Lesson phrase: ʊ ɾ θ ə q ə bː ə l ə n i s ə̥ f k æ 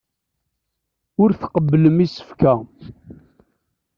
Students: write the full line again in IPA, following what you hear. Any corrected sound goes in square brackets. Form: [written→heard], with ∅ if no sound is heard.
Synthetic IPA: ʊ ɾ θ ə q ə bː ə l ə [n→m] i s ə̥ f k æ